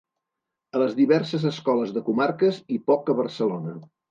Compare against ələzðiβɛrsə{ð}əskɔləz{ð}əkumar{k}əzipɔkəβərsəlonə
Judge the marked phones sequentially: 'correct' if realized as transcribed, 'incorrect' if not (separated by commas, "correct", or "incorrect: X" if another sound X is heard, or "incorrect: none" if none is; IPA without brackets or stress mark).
incorrect: z, correct, correct